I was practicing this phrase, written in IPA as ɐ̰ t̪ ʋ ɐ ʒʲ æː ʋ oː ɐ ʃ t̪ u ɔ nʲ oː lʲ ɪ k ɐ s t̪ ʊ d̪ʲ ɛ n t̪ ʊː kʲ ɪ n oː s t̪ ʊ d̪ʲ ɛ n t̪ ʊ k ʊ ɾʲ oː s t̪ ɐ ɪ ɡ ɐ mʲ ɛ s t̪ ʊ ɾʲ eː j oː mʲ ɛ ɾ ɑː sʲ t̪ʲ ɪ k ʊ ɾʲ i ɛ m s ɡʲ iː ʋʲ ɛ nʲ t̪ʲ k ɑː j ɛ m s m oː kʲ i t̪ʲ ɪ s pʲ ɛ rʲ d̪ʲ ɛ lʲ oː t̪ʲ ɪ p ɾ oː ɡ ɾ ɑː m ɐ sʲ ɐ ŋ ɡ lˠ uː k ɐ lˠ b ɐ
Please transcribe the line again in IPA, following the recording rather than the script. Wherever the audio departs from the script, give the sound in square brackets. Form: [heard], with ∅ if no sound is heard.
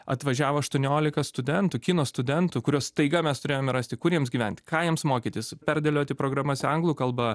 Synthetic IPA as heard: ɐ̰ t̪ ʋ ɐ ʒʲ æː ʋ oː ɐ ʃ t̪ u ɔ nʲ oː lʲ ɪ k ɐ s t̪ ʊ d̪ʲ ɛ n t̪ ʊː kʲ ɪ n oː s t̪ ʊ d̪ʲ ɛ n t̪ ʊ k ʊ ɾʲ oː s t̪ ɐ ɪ ɡ ɐ mʲ ɛ s t̪ ʊ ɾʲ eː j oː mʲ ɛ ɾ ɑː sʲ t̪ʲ ɪ k ʊ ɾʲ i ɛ m s ɡʲ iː ʋʲ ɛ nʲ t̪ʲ k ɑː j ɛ m s m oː kʲ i t̪ʲ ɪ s pʲ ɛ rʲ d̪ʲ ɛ lʲ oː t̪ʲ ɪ p ɾ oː ɡ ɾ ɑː m ɐ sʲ ɐ ŋ ɡ lˠ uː k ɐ lˠ b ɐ